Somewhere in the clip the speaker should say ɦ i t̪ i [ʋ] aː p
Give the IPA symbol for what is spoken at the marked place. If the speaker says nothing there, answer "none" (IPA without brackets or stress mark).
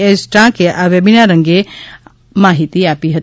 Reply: none